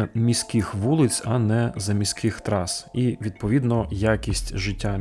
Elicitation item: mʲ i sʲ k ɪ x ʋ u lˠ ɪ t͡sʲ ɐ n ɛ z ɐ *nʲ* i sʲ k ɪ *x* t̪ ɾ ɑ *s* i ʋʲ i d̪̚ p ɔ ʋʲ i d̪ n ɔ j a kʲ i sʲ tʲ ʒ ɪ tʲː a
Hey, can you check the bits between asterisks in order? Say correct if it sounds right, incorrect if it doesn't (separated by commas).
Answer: incorrect, correct, correct